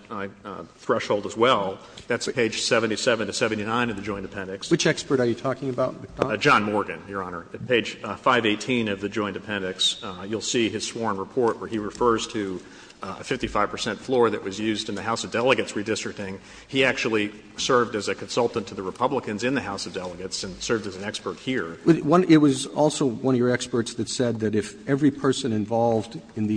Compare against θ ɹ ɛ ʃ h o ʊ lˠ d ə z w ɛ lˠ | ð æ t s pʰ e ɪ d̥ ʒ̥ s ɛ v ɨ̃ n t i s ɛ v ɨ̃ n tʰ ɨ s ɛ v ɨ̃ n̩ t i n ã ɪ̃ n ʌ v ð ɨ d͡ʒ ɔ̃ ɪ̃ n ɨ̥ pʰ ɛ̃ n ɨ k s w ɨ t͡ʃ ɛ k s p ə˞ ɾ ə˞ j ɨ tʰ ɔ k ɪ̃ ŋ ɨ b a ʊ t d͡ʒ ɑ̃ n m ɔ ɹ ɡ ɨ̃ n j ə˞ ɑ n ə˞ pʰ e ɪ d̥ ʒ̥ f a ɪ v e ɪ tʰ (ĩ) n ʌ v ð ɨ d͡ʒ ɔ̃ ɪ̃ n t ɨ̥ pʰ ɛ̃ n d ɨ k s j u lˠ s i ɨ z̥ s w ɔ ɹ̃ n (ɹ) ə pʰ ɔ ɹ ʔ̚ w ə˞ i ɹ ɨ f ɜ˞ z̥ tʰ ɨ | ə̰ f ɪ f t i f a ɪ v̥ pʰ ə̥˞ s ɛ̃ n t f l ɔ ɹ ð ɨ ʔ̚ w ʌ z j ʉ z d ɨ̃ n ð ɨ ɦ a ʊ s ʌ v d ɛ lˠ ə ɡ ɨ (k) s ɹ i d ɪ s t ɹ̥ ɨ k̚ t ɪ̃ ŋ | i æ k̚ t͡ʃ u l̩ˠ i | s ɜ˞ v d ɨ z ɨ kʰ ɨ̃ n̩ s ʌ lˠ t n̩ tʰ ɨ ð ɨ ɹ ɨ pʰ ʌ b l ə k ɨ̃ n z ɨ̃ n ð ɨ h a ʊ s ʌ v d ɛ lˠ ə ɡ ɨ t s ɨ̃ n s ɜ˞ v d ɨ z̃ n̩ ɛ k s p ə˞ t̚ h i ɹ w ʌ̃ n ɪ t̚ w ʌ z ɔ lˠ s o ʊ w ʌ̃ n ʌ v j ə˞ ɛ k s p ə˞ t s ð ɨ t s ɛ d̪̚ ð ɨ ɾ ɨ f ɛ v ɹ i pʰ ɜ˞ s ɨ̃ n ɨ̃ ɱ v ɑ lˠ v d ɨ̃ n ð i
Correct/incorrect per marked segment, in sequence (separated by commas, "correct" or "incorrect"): correct, correct, incorrect